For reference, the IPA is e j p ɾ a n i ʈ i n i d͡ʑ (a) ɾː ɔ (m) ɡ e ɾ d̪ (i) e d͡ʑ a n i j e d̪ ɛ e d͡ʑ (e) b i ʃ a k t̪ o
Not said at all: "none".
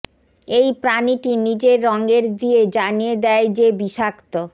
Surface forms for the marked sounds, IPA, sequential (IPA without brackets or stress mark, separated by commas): e, ŋ, i, e